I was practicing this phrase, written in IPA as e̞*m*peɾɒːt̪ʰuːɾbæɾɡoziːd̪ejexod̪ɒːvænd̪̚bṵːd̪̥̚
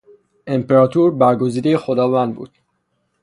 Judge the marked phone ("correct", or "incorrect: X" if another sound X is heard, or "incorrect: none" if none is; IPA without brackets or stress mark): correct